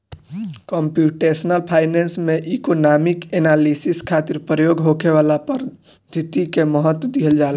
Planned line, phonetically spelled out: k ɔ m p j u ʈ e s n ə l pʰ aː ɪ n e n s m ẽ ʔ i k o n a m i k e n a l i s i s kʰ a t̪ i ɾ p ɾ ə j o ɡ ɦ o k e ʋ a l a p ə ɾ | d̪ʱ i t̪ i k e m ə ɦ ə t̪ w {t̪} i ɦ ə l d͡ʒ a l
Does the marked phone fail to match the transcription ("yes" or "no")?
yes